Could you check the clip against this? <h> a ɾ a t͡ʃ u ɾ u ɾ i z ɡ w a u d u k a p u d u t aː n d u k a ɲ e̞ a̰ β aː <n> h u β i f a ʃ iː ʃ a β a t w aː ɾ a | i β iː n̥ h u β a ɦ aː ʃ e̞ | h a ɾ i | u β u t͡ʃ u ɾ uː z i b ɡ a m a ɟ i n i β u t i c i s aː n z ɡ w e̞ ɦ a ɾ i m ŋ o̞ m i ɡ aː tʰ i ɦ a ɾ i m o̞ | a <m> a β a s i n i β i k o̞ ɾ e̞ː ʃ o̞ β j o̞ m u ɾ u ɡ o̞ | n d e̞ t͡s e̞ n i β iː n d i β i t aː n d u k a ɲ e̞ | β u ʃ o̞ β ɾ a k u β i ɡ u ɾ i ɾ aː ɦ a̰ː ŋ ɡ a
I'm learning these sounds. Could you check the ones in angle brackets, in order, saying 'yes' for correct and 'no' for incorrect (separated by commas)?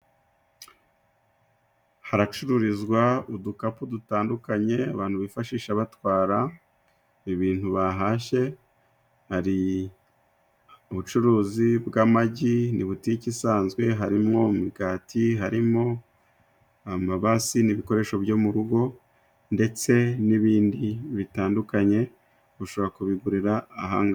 yes, yes, yes